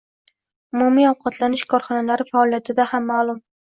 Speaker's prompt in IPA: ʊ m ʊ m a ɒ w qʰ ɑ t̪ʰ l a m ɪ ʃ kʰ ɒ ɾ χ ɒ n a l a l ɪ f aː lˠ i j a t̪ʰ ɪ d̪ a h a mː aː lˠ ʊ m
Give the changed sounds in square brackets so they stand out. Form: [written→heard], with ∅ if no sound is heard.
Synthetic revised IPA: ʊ m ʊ m [a→i] ɒ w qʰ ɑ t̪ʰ l a [m→n] ɪ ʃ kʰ ɒ ɾ χ ɒ n a l a [l→ɾ] ɪ f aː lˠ i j a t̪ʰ ɪ d̪ a h a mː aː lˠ ʊ m